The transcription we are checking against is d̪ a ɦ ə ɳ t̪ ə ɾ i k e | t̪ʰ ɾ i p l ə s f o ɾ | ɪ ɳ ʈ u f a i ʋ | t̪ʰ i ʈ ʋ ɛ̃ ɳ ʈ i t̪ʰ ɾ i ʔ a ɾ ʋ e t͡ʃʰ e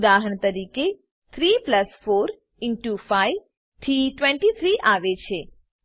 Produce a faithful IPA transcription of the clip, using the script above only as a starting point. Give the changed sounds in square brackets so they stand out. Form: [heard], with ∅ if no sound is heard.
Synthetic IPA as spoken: d̪ a ɦ ə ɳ t̪ ə ɾ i k e | t̪ʰ ɾ i p l ə s f o ɾ | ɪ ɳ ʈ u f a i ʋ | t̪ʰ i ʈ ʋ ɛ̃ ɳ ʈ i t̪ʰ ɾ i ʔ a [∅] ʋ e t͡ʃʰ e